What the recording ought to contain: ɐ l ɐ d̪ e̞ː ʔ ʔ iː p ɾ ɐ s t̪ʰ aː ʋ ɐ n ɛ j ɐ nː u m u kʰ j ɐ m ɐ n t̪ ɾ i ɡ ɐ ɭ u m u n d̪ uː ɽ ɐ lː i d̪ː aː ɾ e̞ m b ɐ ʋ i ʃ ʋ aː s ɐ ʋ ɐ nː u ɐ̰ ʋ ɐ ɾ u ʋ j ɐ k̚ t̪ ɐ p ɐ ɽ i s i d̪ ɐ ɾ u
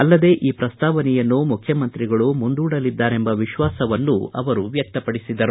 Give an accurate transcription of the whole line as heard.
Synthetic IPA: ɐ lː ɐ d̪ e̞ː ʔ ʔ iː p ɾ ɐ s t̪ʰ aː ʋ ɐ n ɛ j ɐ nː u m u kʰ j ɐ m ɐ n t̪ ɾ i ɡ ɐ ɭ u m u n d̪ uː ɽ ɐ l i d̪ː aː ɾ e̞ m b ɐ ʋ i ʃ ʋ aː s ɐ ʋ ɐ nː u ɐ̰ ʋ ɐ ɾ u ʋ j ɐ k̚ t̪ ɐ p ɐ ɽ i s i d̪ ɐ ɾ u